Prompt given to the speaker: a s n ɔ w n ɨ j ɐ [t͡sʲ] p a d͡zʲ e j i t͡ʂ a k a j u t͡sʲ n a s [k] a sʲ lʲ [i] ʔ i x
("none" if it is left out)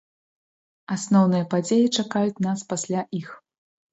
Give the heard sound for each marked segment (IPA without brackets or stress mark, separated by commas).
none, p, a